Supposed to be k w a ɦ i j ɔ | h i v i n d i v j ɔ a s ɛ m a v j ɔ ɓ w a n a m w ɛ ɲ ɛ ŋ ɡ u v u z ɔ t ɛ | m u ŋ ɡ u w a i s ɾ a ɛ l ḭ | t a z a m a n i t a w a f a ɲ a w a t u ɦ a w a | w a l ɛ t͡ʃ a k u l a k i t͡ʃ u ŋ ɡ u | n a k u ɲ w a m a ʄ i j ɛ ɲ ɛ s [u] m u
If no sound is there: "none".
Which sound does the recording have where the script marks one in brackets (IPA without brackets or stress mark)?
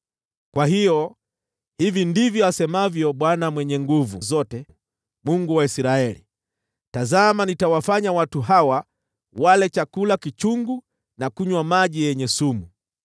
u